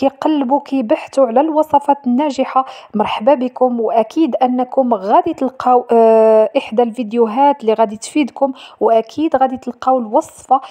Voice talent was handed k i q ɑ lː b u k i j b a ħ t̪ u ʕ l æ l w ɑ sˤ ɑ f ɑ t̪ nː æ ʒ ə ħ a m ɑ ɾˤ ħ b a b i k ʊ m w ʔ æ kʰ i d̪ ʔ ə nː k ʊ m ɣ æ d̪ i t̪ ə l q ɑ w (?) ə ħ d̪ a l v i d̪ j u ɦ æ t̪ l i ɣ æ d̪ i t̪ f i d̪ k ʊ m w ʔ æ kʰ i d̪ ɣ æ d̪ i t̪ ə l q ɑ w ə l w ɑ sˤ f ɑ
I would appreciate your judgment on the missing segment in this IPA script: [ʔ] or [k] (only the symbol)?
ʔ